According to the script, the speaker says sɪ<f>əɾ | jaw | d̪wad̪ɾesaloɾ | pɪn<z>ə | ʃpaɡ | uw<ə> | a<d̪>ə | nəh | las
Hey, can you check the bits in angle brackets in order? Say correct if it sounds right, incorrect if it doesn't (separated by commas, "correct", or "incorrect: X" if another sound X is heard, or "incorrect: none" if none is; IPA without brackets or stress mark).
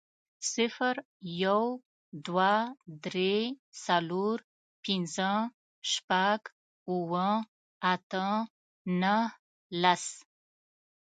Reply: correct, correct, correct, incorrect: t̪